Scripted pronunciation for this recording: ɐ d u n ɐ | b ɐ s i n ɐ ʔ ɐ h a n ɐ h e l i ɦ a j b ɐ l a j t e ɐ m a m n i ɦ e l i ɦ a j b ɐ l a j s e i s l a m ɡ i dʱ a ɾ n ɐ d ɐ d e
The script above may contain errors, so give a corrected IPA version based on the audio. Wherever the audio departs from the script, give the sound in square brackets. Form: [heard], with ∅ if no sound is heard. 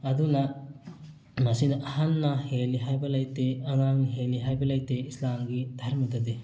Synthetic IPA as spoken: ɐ d u n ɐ | [m] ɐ s i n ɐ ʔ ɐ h a [nː] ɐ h e l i ɦ a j b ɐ l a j t e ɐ [ŋ] a [ŋ] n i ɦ e l i ɦ a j b ɐ l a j [t] e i s l a m ɡ i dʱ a ɾ [m] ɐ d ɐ d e